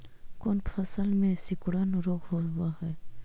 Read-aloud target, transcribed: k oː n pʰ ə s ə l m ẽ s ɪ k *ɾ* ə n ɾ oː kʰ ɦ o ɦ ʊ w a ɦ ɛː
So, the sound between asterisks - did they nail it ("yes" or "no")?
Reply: no